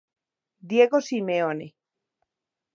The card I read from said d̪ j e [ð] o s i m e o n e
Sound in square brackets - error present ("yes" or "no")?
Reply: yes